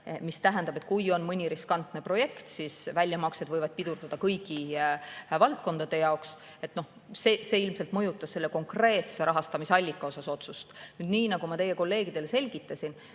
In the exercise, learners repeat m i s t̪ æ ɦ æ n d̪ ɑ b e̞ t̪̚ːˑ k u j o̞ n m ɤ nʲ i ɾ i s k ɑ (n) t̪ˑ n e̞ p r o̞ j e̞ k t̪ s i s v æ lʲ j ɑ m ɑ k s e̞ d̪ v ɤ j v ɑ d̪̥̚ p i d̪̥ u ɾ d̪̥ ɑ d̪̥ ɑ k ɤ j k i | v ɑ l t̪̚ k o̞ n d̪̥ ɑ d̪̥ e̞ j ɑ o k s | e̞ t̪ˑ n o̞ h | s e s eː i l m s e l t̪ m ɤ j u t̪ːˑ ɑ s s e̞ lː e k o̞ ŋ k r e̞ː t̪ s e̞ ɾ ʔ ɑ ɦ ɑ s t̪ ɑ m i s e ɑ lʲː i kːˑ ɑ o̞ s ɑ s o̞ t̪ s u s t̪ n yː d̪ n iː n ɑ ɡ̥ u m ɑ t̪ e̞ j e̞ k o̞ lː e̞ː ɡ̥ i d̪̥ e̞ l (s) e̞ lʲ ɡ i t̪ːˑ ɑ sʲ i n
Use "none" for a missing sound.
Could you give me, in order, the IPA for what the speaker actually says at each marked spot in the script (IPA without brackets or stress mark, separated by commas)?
n, s